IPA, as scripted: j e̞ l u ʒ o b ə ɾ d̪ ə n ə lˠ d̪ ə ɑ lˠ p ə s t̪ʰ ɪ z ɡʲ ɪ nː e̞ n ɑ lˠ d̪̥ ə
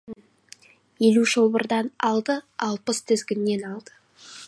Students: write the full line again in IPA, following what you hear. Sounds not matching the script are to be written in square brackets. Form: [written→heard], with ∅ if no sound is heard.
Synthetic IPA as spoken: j e̞ l u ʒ o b ə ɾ d̪ [ə→ɑ] n [ə→ɑ] lˠ d̪ ə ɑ lˠ p ə s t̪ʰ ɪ z ɡʲ ɪ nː e̞ n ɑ lˠ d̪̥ ə